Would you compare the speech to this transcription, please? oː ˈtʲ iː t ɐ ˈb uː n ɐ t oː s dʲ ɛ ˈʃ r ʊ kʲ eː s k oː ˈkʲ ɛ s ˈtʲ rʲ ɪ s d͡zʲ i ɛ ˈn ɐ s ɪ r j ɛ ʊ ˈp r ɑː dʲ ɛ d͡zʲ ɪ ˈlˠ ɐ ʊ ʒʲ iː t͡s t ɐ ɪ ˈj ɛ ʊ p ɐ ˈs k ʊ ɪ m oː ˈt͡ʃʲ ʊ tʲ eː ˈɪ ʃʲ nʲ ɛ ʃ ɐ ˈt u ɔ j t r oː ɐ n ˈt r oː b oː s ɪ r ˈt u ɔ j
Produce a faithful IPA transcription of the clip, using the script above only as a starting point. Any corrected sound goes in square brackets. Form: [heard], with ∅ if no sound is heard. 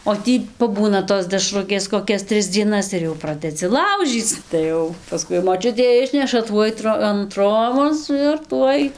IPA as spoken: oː ˈtʲ iː [p] ɐ ˈb uː n ɐ t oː s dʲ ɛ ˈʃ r ʊ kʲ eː s k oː ˈkʲ ɛ s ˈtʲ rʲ ɪ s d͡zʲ i ɛ ˈn ɐ s ɪ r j ɛ ʊ ˈp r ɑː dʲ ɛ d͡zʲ ɪ ˈlˠ ɐ ʊ ʒʲ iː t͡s t ɐ ɪ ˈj ɛ ʊ p ɐ ˈs k ʊ ɪ m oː ˈt͡ʃʲ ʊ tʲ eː ˈɪ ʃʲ nʲ ɛ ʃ ɐ ˈt u ɔ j t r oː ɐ n ˈt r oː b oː s ɪ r ˈt u ɔ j